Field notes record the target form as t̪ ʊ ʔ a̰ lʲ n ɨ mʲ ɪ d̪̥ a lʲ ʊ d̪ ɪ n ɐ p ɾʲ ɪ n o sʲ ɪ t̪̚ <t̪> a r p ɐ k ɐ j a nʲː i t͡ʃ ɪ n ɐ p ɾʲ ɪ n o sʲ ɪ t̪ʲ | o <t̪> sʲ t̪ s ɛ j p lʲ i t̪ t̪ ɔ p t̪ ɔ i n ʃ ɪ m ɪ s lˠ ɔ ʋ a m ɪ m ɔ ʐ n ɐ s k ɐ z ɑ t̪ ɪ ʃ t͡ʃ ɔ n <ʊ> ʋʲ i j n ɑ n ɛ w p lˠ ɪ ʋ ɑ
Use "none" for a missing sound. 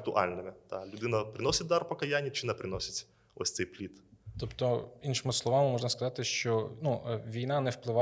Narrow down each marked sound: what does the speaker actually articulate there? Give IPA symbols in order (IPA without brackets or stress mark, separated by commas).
d̪, none, u